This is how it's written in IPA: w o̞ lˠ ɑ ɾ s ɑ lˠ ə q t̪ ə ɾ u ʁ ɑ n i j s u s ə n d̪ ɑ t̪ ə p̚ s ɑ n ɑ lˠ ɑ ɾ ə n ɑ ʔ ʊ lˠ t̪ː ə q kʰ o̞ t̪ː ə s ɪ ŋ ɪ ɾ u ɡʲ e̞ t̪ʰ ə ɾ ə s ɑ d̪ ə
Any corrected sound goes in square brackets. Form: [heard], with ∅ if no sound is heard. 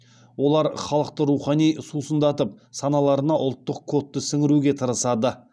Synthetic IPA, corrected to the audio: w o̞ lˠ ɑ ɾ [χ] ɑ lˠ ə q t̪ ə ɾ u [χ] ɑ n i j s u s ə n d̪ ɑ t̪ ə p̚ s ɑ n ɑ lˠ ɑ ɾ ə n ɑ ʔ ʊ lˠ t̪ː ə q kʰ o̞ t̪ː ə s ɪ ŋ ɪ ɾ u ɡʲ e̞ t̪ʰ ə ɾ ə s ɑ d̪ ə